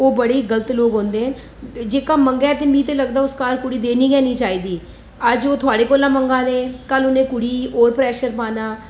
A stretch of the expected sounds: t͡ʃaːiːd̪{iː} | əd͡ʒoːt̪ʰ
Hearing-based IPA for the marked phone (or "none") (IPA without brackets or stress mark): iː